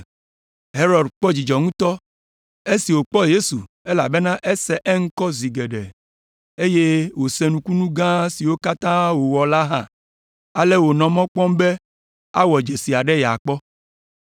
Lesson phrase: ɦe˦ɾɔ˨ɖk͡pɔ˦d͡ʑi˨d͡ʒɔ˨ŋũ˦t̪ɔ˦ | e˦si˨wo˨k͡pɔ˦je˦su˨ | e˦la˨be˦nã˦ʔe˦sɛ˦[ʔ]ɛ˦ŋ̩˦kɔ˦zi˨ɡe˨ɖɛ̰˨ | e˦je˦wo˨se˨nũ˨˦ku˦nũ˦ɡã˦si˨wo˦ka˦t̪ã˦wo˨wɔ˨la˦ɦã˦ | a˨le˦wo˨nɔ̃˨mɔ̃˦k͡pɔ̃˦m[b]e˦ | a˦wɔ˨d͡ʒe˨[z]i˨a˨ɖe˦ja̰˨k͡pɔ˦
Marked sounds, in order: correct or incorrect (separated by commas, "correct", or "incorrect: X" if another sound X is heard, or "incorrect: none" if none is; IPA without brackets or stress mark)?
correct, correct, incorrect: s